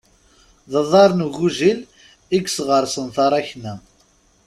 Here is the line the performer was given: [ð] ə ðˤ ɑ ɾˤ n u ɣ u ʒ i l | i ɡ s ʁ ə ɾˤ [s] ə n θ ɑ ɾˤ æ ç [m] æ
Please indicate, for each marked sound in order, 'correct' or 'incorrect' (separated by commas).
correct, correct, incorrect